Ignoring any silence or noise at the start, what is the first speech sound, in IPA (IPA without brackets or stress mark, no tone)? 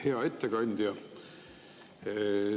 h